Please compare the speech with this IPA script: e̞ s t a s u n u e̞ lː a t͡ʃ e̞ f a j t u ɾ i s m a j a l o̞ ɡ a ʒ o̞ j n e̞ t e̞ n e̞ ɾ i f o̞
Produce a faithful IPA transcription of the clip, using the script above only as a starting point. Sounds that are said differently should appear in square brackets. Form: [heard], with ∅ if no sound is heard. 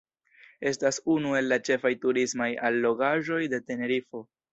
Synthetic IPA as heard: e̞ s t a s u n u e̞ lː a t͡ʃ e̞ f a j t u ɾ i s m a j a [lː] o̞ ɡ a ʒ o̞ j [d] e̞ t e̞ n e̞ ɾ i f o̞